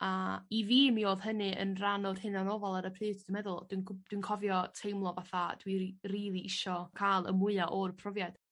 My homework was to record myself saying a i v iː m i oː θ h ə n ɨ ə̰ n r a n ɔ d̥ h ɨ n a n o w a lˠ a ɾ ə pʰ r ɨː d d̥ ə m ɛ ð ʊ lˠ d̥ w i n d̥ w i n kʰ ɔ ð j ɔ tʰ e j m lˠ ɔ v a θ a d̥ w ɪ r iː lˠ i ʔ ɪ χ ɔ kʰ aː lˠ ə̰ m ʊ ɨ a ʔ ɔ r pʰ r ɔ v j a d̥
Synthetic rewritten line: a i v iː m i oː ð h ə n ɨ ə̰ n r a n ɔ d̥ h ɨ n a n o v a lˠ a ɾ ə pʰ r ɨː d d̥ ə m ɛ ð ʊ lˠ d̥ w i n d̥ w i n kʰ ɔ v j ɔ tʰ e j m lˠ ɔ v a θ a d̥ w i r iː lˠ i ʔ ɪ ʃ ɔ kʰ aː lˠ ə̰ m ʊ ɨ a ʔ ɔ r pʰ r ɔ v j a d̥